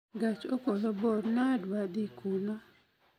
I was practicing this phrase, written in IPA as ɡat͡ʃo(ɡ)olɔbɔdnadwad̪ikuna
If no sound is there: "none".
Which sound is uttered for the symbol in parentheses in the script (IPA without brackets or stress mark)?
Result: k